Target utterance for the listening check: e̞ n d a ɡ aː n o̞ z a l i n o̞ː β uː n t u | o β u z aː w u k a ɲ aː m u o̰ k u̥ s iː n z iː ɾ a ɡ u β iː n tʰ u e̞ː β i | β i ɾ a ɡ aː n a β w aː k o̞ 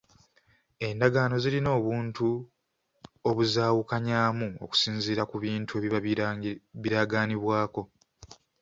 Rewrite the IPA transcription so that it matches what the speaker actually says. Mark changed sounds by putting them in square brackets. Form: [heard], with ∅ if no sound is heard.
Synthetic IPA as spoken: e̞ n d a ɡ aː n o̞ z [i] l i n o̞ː β uː n t u | o β u z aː w u k a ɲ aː m u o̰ k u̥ s iː n z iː ɾ a [k] u β iː n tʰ u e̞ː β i | β i ɾ a ɡ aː n [i] β w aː k o̞

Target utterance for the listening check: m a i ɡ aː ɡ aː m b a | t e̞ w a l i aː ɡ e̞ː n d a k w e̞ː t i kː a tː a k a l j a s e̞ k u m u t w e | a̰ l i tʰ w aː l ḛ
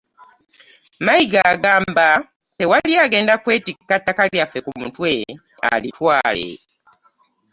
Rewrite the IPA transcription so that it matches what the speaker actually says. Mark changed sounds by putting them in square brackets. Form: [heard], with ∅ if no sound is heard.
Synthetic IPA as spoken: m a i ɡ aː ɡ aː m b a | t e̞ w a l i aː ɡ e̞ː n d a k w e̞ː t i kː a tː a k a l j a [f] e̞ k u m u t w e | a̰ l i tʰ w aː l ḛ

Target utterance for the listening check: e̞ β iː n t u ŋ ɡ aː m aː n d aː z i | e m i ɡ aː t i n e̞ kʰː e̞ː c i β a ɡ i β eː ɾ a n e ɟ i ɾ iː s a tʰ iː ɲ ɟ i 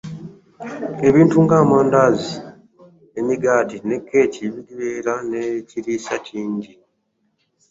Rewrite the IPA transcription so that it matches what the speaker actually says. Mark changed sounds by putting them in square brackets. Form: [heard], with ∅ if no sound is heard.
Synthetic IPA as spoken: e̞ β iː n t u ŋ ɡ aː m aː n d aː z i | e m i ɡ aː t i n e̞ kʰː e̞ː c i β [i] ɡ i β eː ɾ a n e [c] i ɾ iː s a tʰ iː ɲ ɟ i

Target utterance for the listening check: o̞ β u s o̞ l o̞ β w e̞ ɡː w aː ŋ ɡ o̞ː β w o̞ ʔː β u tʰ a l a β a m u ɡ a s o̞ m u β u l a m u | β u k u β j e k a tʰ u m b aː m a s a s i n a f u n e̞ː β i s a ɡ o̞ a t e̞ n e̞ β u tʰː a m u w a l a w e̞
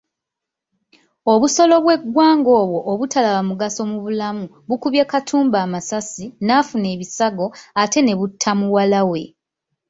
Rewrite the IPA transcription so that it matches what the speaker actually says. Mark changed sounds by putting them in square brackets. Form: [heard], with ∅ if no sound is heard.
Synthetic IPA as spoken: o̞ β u s o̞ l o̞ β w e̞ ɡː w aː ŋ ɡ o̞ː β w o̞ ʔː β u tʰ a l a β a m u ɡ a s o̞ m u β u l a m u | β u k u β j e k a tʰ [uː] m b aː m a s a s i n a f u n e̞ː β i s a ɡ o̞ a t e̞ n e̞ β u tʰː a m u w a l a w e̞

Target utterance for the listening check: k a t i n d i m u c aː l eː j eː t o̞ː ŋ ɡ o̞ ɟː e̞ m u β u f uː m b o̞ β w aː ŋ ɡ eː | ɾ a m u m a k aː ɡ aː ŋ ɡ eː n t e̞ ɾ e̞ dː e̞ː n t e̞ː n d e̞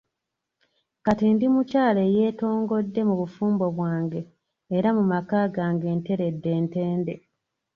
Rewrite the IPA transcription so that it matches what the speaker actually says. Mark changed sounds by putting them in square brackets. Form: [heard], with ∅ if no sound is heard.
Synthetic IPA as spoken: k a t i n d i m u c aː l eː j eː t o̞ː ŋ ɡ o̞ [dː] e̞ m u β u f uː m b o̞ β w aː ŋ ɡ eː | ɾ a m u m a k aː ɡ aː ŋ ɡ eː n t e̞ ɾ e̞ dː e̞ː n t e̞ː n d e̞

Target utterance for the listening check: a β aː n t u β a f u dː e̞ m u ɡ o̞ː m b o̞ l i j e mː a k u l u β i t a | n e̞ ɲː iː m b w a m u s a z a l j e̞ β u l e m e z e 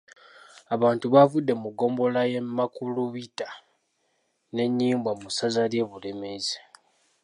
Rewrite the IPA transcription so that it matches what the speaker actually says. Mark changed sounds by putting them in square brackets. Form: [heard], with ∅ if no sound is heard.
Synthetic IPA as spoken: a β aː n t u β a [v] u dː e̞ m u ɡ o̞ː m b o̞ l [a] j e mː a k u l u β i t a | n e̞ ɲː iː m b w a m u s a z a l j e̞ β u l e m e z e

